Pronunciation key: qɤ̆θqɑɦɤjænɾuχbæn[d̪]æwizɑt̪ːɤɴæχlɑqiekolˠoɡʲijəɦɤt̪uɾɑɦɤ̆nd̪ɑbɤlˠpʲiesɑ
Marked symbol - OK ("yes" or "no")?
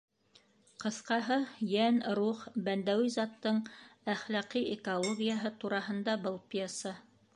yes